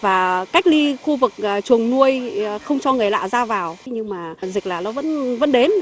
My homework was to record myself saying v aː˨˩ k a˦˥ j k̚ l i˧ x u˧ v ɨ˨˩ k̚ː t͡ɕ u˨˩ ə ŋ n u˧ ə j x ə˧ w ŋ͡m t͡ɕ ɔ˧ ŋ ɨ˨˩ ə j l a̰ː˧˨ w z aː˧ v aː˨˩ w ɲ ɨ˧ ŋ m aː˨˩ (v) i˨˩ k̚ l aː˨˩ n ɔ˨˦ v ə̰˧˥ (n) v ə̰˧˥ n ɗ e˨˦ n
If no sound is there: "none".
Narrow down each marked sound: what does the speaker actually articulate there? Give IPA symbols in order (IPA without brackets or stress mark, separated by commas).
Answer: z, n